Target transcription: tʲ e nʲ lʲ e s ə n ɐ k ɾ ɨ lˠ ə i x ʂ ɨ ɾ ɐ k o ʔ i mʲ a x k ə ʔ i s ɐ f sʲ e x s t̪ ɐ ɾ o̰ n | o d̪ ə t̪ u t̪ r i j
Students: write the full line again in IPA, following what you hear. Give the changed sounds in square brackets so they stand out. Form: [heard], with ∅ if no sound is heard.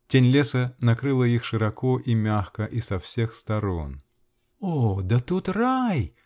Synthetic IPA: tʲ e nʲ lʲ e s ə n ɐ k ɾ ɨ lˠ ə i x ʂ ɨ ɾ ɐ k o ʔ i mʲ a x k ə ʔ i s ɐ f sʲ e x s t̪ ɐ ɾ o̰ n | o d̪ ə t̪ u t̪ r [a] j